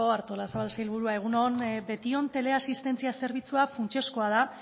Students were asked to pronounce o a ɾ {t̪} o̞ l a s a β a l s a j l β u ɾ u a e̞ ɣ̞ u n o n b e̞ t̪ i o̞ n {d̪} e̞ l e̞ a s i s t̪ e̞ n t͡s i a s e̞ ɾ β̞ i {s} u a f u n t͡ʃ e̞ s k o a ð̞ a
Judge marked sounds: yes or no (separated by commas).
yes, no, no